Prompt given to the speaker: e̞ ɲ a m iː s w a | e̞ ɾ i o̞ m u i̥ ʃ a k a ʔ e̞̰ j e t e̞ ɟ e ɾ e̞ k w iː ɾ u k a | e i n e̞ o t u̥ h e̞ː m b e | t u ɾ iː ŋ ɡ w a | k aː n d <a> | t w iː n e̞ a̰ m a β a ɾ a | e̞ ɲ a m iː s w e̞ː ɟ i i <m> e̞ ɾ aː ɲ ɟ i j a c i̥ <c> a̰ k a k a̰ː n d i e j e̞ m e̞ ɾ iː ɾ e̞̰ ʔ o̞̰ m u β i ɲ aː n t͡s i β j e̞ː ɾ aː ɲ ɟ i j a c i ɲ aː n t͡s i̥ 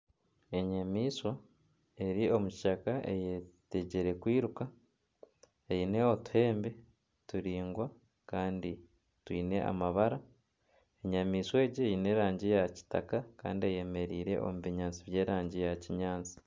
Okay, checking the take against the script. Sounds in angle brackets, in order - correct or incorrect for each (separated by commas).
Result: incorrect, incorrect, incorrect